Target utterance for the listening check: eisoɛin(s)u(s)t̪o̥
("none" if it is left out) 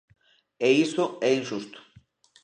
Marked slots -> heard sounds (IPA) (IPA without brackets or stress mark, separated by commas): ʃ, s